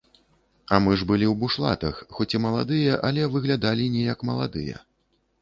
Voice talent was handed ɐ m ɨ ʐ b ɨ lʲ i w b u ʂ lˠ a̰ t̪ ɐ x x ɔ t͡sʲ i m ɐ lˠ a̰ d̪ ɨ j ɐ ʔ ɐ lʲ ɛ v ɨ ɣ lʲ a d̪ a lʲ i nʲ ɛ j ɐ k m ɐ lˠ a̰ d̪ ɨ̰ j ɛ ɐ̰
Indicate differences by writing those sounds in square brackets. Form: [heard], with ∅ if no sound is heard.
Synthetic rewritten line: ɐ m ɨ ʐ b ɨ lʲ i w b u ʂ lˠ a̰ t̪ ɐ x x ɔ t͡sʲ i m ɐ lˠ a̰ d̪ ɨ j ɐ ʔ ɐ lʲ ɛ v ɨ ɣ lʲ a d̪ a lʲ i nʲ ɛ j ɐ k m ɐ lˠ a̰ d̪ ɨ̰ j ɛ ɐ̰